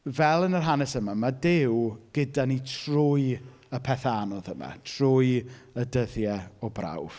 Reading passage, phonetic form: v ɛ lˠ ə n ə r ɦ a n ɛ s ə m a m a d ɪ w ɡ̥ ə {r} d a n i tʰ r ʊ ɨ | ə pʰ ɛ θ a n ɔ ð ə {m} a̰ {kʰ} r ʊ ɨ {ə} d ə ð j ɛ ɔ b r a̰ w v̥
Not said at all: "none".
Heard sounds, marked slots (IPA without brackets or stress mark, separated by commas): none, m, tʰ, ə